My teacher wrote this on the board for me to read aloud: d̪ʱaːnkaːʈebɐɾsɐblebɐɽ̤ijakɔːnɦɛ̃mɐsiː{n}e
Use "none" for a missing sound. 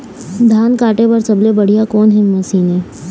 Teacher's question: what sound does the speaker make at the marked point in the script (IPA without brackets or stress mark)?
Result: n